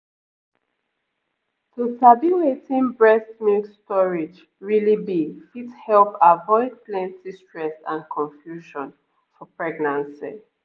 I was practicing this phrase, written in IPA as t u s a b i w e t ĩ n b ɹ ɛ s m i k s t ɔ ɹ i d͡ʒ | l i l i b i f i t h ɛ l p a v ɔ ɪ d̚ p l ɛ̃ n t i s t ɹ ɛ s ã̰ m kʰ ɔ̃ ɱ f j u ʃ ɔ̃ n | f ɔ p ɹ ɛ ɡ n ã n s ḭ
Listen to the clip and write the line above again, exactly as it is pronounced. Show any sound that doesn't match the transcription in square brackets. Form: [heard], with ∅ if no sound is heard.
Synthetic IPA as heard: t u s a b i w e t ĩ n b ɹ ɛ s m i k s t ɔ ɹ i d͡ʒ | [ɹ] i l i b i f i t h ɛ l p a v ɔ ɪ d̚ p l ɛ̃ n t i s t ɹ ɛ s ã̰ [n] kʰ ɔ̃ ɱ f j u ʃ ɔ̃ n | f ɔ p ɹ ɛ ɡ n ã n s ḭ